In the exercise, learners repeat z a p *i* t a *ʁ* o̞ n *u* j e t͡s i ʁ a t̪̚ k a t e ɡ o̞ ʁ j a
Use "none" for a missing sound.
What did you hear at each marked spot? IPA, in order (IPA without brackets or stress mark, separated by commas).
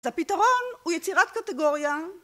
i, ʁ, u